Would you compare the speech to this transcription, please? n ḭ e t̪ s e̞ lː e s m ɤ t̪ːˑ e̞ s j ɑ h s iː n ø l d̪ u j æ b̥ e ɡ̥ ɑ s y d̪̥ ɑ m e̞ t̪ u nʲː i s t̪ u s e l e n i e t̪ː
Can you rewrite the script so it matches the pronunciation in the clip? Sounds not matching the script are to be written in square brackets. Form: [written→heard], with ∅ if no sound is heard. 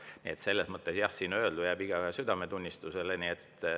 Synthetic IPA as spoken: n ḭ e t̪ s e̞ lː e s m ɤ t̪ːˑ e̞ s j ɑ h s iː n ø l d̪ u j æ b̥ [e→i] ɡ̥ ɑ s y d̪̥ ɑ m e̞ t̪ u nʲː i s t̪ u s e l e n i e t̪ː